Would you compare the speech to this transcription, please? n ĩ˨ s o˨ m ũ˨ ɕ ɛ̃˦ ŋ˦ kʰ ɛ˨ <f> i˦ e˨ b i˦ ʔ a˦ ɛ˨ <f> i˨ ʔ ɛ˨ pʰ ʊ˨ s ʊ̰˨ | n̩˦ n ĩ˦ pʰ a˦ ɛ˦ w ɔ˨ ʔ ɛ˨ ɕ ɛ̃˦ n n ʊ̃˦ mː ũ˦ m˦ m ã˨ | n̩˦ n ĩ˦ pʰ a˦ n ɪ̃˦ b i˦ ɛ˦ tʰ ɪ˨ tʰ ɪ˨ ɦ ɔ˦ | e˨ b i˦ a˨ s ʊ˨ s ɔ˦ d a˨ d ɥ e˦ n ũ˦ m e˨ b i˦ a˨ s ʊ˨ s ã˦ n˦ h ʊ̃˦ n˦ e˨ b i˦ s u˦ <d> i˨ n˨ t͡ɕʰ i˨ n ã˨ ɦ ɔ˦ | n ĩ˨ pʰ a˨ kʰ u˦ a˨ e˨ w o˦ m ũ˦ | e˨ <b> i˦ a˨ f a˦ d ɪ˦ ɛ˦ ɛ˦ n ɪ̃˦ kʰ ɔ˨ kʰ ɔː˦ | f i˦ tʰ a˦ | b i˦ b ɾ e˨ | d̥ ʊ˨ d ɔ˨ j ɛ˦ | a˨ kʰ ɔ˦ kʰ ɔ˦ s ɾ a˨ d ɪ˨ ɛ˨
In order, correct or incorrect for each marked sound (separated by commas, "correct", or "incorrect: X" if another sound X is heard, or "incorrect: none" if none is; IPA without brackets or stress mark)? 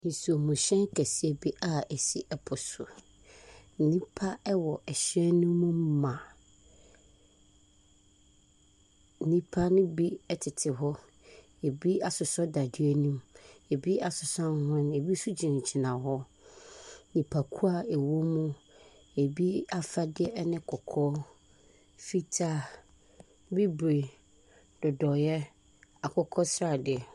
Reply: incorrect: s, incorrect: s, incorrect: d͡ʑ, correct